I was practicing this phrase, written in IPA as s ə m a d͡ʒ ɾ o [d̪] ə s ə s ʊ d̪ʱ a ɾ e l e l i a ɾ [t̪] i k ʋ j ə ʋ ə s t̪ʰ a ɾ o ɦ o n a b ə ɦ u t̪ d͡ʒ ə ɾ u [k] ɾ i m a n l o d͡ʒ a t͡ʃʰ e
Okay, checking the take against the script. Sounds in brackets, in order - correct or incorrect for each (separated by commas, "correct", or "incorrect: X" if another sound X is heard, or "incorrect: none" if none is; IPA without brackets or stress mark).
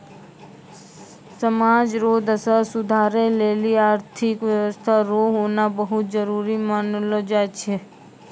correct, incorrect: t̪ʰ, incorrect: none